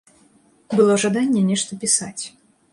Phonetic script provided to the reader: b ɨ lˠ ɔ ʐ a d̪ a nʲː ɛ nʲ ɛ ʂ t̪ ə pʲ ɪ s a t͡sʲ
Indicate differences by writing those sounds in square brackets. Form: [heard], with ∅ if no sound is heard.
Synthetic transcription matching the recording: b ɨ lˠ ɔ ʐ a d̪ a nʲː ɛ nʲ ɛ ʂ t̪ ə pʲ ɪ s a t͡sʲ